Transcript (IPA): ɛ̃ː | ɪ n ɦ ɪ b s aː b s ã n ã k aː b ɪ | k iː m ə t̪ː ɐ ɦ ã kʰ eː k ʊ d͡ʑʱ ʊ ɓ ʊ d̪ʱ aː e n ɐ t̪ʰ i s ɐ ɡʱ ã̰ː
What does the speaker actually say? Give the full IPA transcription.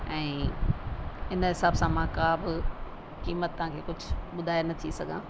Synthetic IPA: ɛ̃ː | ɪ n ɦ ɪ s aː b s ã m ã k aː b ɪ | k iː m ə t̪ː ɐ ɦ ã kʰ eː k ʊ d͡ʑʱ ʊ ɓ ʊ d̪ʱ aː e n ɐ t̪ʰ i s ɐ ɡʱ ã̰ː